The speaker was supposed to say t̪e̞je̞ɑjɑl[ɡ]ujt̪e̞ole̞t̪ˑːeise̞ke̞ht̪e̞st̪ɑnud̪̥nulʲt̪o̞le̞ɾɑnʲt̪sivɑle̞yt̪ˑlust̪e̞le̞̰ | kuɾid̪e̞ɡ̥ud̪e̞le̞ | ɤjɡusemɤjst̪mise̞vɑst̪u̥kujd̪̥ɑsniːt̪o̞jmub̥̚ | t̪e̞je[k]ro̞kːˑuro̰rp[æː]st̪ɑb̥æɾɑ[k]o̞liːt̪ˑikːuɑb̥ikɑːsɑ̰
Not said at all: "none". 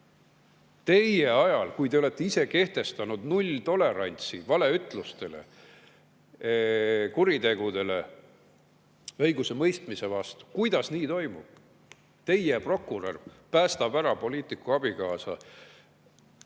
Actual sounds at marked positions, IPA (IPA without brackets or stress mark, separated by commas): k, p, æː, p